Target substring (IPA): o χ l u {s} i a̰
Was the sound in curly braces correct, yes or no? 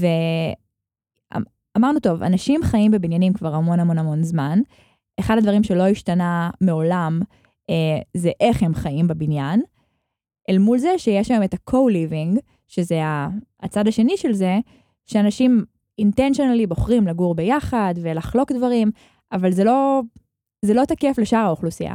yes